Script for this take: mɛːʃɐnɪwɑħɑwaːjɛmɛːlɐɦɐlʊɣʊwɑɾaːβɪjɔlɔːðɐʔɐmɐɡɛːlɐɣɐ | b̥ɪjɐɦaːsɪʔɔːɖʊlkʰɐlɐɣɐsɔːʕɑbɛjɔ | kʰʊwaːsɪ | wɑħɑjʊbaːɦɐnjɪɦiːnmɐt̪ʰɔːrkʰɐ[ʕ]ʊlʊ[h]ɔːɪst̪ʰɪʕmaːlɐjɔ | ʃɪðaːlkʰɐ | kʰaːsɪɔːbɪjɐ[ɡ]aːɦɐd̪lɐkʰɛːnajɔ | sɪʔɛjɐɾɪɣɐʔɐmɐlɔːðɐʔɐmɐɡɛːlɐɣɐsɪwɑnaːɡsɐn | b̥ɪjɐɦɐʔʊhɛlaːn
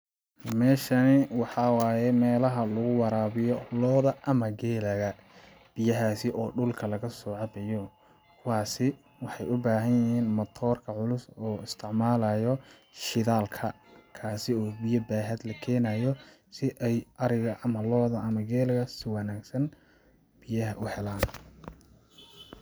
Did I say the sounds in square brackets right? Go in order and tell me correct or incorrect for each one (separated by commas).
correct, incorrect, incorrect